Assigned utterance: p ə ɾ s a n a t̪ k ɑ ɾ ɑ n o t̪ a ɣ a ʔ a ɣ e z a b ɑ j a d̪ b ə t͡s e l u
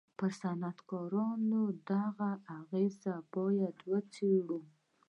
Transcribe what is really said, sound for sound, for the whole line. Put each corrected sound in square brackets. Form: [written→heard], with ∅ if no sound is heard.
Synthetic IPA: p ə ɾ s a n a t̪ k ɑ ɾ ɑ n o [t̪→d̪] a ɣ a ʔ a ɣ e z a b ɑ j a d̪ [b→w] ə t͡s e [l→ɽ] u

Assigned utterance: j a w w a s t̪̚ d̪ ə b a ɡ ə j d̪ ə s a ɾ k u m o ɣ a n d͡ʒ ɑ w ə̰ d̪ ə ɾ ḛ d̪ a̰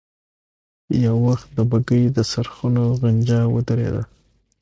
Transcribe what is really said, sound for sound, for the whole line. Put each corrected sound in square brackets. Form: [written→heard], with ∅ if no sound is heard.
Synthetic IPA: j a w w a [s→x] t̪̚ d̪ ə b a ɡ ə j d̪ ə s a ɾ [k→x] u [m→n] o ɣ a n d͡ʒ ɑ w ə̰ d̪ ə ɾ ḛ d̪ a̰

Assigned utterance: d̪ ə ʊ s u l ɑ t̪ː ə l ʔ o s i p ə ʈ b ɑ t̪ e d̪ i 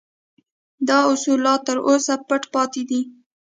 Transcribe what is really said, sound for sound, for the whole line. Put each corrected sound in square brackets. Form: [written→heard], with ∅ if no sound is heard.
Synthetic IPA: d̪ [ə→ɑ] ʊ s u l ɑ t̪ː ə [l→ɾ] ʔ o s [i→a] p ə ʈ [b→p] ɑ t̪ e d̪ i

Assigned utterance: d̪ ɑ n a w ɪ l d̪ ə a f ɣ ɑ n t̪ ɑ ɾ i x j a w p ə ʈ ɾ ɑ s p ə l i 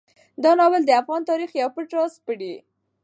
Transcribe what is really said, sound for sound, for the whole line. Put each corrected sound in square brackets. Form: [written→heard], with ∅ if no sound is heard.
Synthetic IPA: d̪ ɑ n [a→ɑ] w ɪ l d̪ ə a f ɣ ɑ n t̪ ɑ ɾ i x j a w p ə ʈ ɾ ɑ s p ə [l→ɽ] i

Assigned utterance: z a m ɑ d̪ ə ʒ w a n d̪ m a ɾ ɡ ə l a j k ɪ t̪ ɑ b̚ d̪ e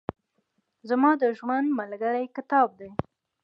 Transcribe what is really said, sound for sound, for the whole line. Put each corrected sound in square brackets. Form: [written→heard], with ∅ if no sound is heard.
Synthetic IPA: z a m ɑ d̪ ə ʒ w a n d̪ m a [ɾ→l] ɡ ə [l→ɽ] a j k ɪ t̪ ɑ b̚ d̪ e

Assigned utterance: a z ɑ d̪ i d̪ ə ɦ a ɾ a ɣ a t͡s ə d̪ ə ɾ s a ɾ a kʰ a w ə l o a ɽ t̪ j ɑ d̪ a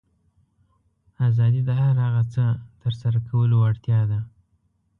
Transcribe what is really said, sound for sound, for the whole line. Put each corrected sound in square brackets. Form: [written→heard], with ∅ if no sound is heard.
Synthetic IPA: a z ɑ d̪ i d̪ ə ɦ a ɾ a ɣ a t͡s ə [d̪→t̪] ə ɾ s a ɾ a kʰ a w ə l o a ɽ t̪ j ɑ d̪ a

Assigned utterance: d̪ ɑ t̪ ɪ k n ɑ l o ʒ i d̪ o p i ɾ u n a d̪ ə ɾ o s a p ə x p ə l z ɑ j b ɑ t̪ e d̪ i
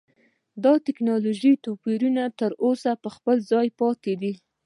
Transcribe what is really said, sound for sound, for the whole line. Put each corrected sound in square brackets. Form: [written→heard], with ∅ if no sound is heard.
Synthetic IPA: d̪ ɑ t̪ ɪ k n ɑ l o ʒ i [d̪→t̪] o p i ɾ u n a [d̪→t̪] ə ɾ o s a p ə x p ə l z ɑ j [b→p] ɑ t̪ e d̪ i

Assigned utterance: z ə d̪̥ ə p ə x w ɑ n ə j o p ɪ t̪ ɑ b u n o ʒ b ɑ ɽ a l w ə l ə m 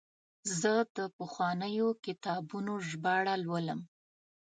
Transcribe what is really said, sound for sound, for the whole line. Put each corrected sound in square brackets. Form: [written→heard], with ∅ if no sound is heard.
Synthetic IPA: z ə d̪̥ ə p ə x w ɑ n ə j o [p→k] ɪ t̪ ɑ b u n o ʒ b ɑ ɽ a l w ə l ə m

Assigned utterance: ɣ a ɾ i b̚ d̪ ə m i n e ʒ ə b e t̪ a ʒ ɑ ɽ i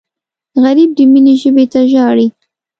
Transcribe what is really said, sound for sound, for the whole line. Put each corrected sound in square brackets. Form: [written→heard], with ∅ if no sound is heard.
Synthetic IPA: ɣ a ɾ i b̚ d̪ ə m i n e ʒ ə b e t̪ a ʒ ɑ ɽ i

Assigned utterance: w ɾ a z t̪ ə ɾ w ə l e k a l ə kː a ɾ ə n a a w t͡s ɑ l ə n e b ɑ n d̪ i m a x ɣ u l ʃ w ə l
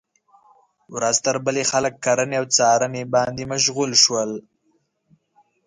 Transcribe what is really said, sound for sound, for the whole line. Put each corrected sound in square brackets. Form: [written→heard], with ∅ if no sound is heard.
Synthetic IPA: w ɾ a z t̪ ə ɾ [w→b] ə l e [k→x] a l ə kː a ɾ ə n [a→e] a w t͡s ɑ [l→ɾ] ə n e b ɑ n d̪ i m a [x→ʃ] ɣ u l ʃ w ə l

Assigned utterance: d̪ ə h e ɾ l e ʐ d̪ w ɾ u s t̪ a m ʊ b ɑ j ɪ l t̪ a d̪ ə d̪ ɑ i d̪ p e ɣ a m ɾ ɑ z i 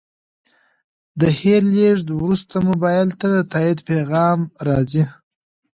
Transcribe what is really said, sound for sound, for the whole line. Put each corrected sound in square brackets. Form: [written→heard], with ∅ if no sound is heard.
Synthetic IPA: d̪ ə h e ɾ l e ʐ d̪ w ɾ u s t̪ a m ʊ b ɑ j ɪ l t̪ a d̪ ə [d̪→t̪] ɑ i d̪ p e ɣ [a→ɑ] m ɾ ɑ z i

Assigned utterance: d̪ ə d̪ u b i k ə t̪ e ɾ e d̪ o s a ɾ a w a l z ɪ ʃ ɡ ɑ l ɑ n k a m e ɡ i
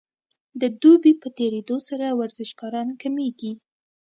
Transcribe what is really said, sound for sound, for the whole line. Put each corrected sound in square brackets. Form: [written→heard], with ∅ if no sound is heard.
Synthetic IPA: d̪ ə d̪ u b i [k→p] ə t̪ e ɾ e d̪ o s a ɾ a w a [l→ɾ] z ɪ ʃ ɡ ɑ [l→ɾ] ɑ n k a m e ɡ i

